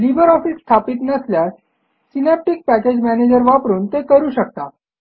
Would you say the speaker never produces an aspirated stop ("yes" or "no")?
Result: no